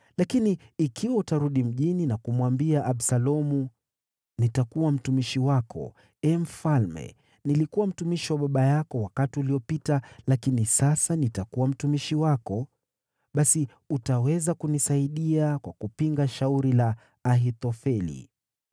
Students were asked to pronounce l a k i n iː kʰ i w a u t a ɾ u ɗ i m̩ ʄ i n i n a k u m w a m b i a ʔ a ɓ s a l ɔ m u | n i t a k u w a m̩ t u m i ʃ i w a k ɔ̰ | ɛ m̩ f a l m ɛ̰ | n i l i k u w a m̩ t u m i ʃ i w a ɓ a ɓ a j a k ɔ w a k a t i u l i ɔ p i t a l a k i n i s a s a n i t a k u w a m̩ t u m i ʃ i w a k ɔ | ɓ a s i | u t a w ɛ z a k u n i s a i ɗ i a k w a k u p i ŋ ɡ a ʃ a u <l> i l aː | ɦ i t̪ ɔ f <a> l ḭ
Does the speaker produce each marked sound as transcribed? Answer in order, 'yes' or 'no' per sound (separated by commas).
no, no